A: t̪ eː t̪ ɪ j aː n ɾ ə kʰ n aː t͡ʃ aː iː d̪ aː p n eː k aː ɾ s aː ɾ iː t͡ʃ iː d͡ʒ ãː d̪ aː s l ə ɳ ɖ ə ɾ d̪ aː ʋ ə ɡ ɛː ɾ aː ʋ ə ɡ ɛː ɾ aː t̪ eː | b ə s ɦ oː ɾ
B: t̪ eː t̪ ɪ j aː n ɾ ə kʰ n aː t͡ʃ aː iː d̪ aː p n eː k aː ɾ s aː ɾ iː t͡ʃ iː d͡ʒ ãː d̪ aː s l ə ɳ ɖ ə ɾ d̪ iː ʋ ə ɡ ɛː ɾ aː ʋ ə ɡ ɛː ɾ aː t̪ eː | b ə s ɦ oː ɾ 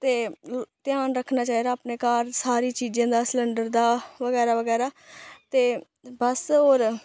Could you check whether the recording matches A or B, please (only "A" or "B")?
A